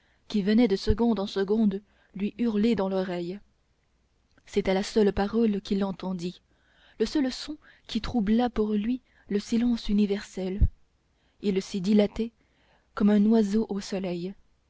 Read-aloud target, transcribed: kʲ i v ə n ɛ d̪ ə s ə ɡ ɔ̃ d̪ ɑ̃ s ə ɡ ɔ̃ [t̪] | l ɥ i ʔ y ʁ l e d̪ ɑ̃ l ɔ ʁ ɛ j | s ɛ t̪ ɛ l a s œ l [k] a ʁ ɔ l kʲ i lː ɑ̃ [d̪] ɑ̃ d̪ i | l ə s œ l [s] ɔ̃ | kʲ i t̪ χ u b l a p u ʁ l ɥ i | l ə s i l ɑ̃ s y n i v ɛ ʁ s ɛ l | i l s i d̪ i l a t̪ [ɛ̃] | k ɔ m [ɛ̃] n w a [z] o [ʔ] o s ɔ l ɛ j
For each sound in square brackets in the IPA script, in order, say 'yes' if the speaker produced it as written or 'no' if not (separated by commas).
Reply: no, no, no, yes, no, yes, yes, yes